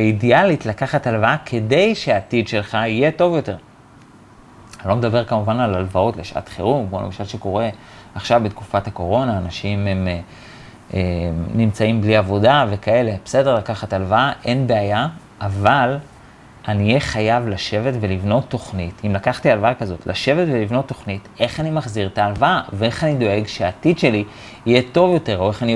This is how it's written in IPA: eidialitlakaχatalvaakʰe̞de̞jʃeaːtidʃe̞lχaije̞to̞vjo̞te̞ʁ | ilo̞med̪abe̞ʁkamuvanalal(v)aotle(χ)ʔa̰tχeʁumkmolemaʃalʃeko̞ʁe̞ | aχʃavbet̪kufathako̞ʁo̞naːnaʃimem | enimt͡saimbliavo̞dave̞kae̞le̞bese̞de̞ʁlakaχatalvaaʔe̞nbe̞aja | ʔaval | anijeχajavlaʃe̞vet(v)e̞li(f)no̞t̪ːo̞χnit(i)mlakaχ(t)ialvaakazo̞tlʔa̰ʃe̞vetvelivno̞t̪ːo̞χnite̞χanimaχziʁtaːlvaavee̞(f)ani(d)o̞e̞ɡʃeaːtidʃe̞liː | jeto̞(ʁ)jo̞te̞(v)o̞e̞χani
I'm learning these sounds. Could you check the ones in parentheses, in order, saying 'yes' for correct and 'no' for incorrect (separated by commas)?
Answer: yes, no, yes, no, yes, yes, no, yes, no, no